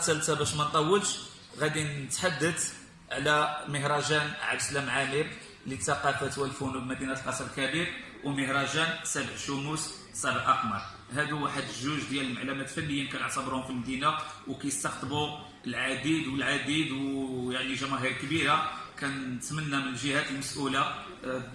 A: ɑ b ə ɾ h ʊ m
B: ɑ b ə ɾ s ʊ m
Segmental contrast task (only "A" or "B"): A